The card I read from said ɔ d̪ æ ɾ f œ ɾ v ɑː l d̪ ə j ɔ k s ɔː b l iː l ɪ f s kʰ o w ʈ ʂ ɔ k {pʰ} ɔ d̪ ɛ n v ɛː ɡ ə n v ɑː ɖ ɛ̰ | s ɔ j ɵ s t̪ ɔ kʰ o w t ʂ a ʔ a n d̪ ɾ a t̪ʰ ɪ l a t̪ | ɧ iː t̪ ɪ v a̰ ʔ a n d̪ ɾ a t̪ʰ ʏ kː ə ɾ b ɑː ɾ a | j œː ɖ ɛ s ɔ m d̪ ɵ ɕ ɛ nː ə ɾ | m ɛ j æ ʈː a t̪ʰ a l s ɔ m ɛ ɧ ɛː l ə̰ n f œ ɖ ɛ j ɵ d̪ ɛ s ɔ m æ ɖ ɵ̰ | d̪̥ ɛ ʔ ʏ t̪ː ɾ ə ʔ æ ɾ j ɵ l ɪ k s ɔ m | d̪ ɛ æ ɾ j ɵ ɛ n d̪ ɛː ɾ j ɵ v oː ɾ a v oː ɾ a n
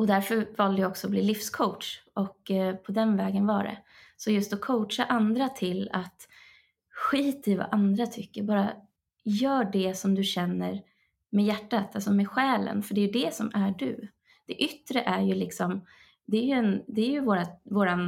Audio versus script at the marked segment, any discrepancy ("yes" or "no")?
no